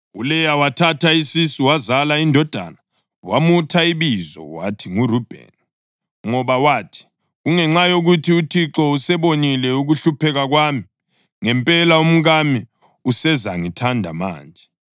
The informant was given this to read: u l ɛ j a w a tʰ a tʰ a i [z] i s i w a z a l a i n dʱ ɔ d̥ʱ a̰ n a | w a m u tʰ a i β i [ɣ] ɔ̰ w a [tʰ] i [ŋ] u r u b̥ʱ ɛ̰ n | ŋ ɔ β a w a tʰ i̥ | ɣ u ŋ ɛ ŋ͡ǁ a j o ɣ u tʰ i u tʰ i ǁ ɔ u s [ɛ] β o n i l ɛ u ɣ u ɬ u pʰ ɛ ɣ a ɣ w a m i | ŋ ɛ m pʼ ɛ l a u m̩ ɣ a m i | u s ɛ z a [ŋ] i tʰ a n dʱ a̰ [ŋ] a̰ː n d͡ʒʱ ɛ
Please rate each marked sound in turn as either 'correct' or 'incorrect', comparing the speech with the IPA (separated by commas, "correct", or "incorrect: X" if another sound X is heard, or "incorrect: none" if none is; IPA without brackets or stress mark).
incorrect: s, incorrect: z, correct, correct, correct, correct, incorrect: m